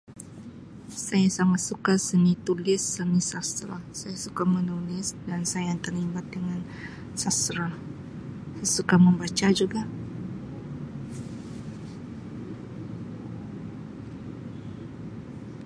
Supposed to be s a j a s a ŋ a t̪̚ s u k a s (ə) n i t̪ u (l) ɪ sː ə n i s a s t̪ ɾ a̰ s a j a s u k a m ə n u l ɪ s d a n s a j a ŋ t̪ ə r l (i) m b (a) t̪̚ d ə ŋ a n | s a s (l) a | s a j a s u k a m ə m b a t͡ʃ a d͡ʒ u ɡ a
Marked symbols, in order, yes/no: yes, yes, yes, yes, no

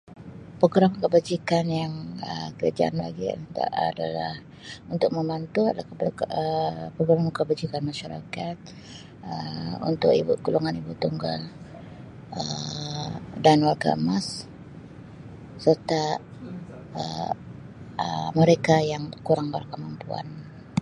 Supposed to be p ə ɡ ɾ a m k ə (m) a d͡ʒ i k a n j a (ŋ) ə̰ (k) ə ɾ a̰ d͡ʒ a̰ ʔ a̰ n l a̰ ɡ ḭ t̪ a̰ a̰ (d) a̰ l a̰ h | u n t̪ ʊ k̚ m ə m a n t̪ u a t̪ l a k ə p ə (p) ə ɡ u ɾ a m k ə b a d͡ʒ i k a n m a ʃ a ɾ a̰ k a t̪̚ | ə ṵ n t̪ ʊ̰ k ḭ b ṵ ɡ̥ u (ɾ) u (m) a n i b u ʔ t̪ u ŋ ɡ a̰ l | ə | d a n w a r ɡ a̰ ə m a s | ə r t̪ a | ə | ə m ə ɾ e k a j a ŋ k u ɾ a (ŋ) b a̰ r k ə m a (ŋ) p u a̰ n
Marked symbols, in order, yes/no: no, yes, yes, yes, yes, no, no, yes, no

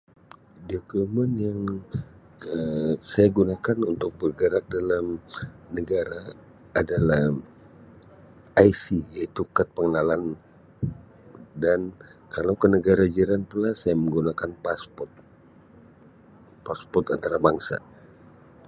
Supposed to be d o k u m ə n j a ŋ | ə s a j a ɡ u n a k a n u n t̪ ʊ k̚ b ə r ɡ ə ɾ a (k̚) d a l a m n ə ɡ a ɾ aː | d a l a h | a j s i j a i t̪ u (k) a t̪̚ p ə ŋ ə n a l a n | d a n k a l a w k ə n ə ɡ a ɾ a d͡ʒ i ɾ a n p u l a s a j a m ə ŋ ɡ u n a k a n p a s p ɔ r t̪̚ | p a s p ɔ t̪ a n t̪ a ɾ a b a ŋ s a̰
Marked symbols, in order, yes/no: yes, yes

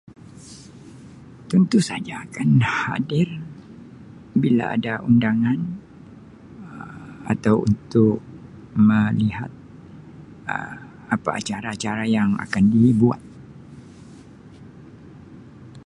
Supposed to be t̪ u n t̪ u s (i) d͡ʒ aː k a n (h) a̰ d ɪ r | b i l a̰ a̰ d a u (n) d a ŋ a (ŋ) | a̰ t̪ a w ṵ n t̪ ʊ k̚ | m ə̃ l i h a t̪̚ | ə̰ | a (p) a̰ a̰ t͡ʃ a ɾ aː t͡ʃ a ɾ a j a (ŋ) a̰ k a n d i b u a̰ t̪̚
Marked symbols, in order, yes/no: no, yes, yes, no, yes, yes

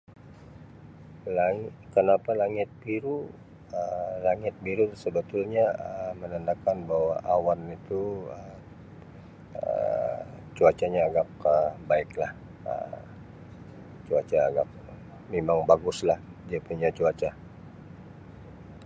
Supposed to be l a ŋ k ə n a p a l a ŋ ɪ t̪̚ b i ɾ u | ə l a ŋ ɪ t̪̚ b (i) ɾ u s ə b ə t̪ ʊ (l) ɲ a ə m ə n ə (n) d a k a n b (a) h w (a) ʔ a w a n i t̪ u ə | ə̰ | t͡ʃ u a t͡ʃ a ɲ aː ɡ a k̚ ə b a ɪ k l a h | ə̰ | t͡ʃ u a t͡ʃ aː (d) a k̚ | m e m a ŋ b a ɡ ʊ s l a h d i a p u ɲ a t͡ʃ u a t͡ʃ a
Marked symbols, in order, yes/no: yes, yes, yes, yes, yes, no

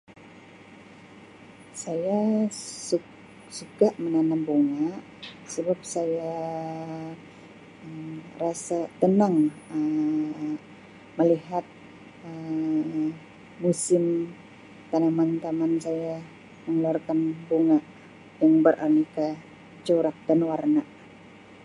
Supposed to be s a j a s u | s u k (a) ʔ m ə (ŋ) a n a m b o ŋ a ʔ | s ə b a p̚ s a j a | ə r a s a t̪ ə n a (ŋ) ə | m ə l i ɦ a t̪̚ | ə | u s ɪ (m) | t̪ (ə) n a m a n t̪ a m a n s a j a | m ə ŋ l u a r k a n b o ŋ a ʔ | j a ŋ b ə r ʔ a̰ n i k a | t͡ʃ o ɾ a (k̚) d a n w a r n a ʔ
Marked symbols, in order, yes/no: yes, no, yes, yes, no, yes

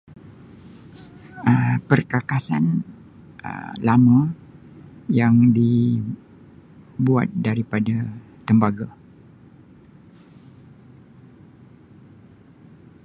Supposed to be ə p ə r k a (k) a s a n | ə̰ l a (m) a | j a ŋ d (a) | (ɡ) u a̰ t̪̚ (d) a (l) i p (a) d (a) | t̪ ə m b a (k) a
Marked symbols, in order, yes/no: yes, yes, no, no, yes, no, yes, yes, no

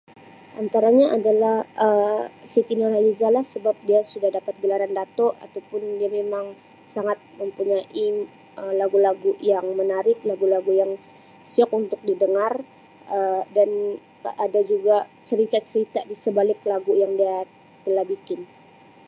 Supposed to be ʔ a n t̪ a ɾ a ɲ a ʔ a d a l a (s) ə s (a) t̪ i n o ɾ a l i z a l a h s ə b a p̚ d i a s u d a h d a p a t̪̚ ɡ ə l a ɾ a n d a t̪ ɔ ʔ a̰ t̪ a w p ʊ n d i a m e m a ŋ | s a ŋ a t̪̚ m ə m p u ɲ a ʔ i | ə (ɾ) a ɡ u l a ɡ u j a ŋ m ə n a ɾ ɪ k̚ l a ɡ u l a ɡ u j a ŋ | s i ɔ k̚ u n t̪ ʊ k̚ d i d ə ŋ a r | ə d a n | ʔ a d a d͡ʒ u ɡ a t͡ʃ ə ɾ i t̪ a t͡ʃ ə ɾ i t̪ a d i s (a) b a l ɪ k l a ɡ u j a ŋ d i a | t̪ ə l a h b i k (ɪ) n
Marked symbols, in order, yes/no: no, no, no, no, yes

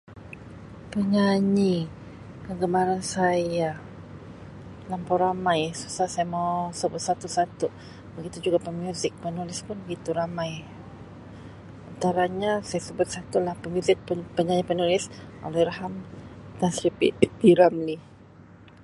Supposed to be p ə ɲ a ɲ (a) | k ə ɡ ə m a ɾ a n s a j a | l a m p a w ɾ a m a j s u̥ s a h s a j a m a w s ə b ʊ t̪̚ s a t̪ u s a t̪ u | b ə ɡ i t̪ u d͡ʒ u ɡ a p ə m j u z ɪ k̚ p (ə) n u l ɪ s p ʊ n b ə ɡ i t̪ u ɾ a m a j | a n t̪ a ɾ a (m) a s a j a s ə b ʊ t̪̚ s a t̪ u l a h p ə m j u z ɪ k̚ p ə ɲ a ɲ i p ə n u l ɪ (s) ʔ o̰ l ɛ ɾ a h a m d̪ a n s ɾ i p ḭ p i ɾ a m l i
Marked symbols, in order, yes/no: no, yes, no, yes

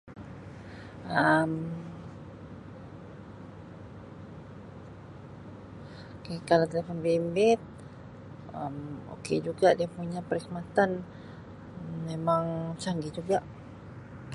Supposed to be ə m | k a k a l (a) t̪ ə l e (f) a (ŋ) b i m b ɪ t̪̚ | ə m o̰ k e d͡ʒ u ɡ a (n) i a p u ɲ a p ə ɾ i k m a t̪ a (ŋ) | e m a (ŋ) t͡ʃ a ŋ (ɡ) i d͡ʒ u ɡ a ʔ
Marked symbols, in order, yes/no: yes, yes, no, no, no, yes, yes

